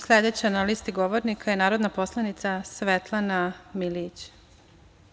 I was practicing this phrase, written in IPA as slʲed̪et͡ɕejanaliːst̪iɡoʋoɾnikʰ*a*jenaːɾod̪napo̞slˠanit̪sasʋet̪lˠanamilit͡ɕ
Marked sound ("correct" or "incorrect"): correct